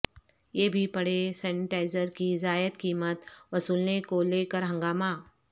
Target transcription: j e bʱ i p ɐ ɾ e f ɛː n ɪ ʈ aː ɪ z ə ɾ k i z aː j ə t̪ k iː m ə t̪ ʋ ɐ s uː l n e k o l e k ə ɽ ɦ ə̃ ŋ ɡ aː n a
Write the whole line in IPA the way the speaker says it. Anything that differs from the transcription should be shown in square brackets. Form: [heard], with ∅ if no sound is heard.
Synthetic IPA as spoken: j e bʱ i p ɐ [ɽ] e [s] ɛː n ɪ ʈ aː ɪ z ə ɾ k i z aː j ə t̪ k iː m ə t̪ ʋ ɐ s uː l n e k o l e k ə [ɾ] ɦ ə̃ ŋ ɡ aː [m] a